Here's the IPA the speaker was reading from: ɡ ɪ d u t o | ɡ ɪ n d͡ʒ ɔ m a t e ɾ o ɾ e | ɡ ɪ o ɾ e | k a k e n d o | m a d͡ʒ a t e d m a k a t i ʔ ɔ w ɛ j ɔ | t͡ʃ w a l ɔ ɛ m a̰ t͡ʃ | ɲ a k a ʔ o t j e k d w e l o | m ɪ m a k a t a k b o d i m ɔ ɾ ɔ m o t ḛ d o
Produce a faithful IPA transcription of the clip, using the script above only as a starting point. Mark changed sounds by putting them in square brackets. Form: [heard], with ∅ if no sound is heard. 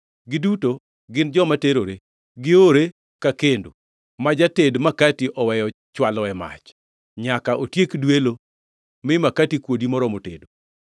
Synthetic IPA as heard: ɡ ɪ d u t o | ɡ ɪ n d͡ʒ ɔ m a t e ɾ o ɾ e | ɡ ɪ o ɾ e | k a k e n d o | m a d͡ʒ a t e d m a k a t i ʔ ɔ w ɛ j ɔ | t͡ʃ w a l ɔ ɛ m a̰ t͡ʃ | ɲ a k a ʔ o t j e k d w e l o | m ɪ m a k a t [i] k [w] o d i m ɔ ɾ ɔ m o t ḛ d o

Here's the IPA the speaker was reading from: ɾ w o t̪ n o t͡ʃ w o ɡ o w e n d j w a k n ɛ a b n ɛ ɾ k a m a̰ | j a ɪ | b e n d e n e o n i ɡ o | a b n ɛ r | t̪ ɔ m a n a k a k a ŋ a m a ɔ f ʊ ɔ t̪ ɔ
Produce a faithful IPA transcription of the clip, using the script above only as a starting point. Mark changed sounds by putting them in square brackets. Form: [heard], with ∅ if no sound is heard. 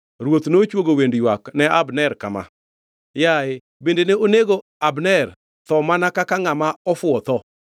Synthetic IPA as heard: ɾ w o t̪ n o t͡ʃ w o ɡ o w e n d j w a k n ɛ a b n ɛ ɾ k a m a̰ | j a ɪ | b e n d e n e o n [e] ɡ o | a b n ɛ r | t̪ ɔ m a n a k a k a ŋ a m a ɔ f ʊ ɔ t̪ ɔ

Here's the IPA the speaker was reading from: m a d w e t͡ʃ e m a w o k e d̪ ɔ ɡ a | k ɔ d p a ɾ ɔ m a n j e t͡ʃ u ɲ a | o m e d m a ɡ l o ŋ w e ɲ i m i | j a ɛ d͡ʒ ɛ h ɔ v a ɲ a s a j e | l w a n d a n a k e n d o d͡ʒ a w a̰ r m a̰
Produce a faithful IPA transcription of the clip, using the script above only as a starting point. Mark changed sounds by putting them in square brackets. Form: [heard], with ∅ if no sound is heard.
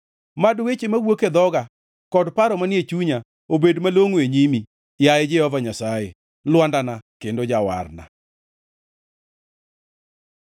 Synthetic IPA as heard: m a d w e t͡ʃ e m a w o k e d̪ ɔ ɡ a | k ɔ d p a ɾ ɔ m a n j e t͡ʃ u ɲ a | o [b] e d m a [∅] l o ŋ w e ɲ i m i | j a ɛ d͡ʒ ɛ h ɔ v a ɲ a s a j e | l w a n d a n a k e n d o d͡ʒ a w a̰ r [n] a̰

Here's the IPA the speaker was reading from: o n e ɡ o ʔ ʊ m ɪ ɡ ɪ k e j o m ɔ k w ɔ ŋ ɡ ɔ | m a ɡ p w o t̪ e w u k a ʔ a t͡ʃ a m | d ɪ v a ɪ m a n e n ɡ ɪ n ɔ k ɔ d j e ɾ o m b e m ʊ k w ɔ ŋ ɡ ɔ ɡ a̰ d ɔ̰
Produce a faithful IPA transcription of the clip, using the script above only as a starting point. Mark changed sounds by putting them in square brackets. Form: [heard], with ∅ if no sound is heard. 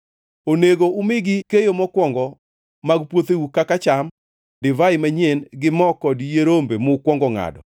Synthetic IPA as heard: o n e ɡ o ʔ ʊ m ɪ ɡ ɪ k e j o m ɔ k w ɔ ŋ ɡ ɔ | m a ɡ p w o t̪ e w u k a [k] a t͡ʃ a m | d ɪ v a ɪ m a [ɲ] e n ɡ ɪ [m] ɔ k ɔ d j e ɾ o m b e m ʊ k w ɔ ŋ ɡ ɔ [ŋ] a̰ d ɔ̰

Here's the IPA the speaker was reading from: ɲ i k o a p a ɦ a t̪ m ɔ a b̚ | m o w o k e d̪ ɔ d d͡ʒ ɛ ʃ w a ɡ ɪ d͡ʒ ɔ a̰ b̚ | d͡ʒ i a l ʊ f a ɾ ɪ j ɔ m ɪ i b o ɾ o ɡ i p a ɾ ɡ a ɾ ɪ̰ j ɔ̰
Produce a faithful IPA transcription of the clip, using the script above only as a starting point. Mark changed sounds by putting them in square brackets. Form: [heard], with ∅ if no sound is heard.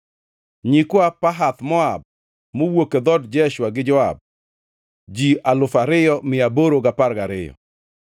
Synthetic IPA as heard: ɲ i k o a p a ɦ a t̪ m ɔ a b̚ | m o w o k e d̪ ɔ d d͡ʒ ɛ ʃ w a ɡ ɪ d͡ʒ ɔ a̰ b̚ | d͡ʒ i a l ʊ f a ɾ ɪ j ɔ m ɪ [a] b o ɾ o ɡ [a] p a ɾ ɡ a ɾ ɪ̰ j ɔ̰

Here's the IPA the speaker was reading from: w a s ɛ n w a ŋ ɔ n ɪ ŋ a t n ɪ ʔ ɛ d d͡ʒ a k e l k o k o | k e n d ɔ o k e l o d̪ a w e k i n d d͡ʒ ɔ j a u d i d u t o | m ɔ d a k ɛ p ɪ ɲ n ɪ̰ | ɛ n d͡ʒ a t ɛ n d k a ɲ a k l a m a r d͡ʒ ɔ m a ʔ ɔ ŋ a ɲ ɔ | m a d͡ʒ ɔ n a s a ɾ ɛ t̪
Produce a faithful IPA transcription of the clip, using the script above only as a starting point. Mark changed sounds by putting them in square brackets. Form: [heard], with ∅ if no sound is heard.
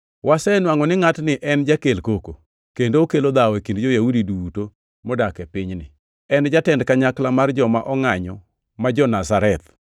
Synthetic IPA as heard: w a s ɛ n w a ŋ ɔ n ɪ ŋ a t n ɪ ʔ ɛ [n] d͡ʒ a k e l k o k o | k e n d [o] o k e l o d̪ a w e k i n d d͡ʒ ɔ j a u d i d u t o | m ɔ d a k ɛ p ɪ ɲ n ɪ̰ | ɛ n d͡ʒ a t ɛ n d k a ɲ a k l a m a r d͡ʒ ɔ m a ʔ ɔ ŋ a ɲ ɔ | m a d͡ʒ ɔ n a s a ɾ ɛ t̪

